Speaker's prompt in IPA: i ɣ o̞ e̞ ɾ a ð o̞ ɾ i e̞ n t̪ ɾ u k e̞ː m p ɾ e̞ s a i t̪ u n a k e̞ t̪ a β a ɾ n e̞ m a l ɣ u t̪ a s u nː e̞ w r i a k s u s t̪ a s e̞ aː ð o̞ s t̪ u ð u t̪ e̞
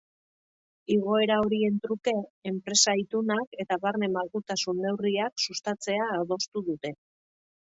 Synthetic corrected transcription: i ɣ o̞ e̞ ɾ a o̞ ɾ i e̞ n t̪ ɾ u k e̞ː m p ɾ e̞ s a i t̪ u n a k e̞ t̪ a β a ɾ n e̞ m a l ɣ u t̪ a s u nː e̞ w r i a k s u s t̪ a t͡s e̞ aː ð o̞ s t̪ u ð u t̪ e̞